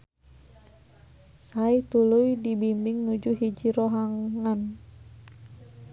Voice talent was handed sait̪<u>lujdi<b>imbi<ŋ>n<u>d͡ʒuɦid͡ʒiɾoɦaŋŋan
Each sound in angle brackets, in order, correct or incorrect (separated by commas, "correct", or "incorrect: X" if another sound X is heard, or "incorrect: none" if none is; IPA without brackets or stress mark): correct, correct, correct, correct